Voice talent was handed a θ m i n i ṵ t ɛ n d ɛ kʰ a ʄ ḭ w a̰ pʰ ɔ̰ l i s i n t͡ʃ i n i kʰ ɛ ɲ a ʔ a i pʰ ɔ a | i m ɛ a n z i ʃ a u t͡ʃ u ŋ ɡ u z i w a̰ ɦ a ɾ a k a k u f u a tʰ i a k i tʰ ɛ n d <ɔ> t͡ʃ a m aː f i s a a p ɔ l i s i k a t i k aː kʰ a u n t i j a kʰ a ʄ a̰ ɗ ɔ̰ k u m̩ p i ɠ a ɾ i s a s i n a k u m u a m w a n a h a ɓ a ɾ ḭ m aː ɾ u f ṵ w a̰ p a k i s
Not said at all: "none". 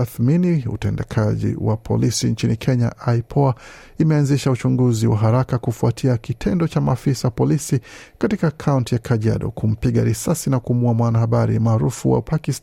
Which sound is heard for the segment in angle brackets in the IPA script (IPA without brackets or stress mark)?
ɔ